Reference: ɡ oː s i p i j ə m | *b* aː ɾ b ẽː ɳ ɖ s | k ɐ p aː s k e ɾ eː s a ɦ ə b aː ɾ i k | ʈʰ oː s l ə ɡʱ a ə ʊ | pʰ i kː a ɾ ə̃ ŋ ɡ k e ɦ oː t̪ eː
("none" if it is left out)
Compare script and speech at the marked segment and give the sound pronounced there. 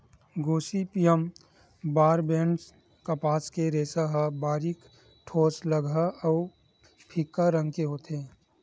b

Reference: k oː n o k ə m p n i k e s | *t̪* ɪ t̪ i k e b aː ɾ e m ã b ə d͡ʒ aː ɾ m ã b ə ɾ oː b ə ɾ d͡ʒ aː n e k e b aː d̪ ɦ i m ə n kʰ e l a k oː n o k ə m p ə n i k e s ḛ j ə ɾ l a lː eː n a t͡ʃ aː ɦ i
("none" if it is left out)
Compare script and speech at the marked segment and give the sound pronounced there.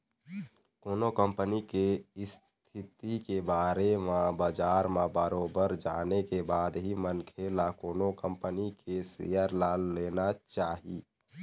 t̪ʰ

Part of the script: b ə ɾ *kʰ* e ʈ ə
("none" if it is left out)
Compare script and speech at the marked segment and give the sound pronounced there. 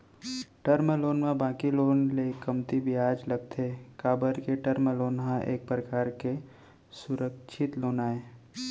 k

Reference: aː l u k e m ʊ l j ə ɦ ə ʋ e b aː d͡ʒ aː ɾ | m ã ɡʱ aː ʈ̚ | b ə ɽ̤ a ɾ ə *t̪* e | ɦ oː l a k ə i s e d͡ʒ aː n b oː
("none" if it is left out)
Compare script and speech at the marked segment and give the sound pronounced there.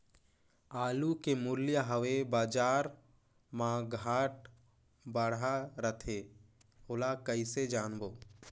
t̪ʰ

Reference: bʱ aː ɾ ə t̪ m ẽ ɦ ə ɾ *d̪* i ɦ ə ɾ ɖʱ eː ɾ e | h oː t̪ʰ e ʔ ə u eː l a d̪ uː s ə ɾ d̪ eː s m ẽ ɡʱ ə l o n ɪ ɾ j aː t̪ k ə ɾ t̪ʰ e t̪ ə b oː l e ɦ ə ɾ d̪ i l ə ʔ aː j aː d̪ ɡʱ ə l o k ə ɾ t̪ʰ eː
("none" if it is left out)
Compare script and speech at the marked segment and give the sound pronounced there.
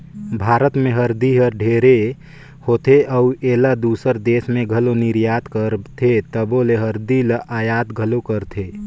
d̪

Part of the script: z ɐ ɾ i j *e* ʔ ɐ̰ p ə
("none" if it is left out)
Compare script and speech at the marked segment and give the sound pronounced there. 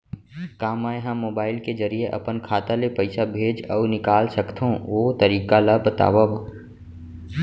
e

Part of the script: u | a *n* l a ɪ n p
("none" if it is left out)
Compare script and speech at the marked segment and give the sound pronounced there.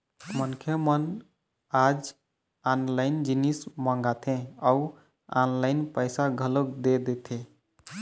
n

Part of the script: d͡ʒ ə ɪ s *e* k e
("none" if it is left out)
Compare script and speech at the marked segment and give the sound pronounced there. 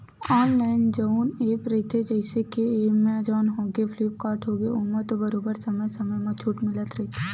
e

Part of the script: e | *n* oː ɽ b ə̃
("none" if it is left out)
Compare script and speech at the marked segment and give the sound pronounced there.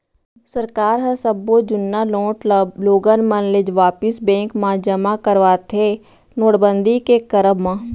n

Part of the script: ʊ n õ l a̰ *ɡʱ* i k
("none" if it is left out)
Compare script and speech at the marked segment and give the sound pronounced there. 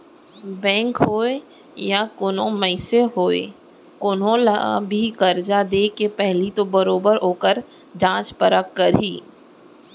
bʱ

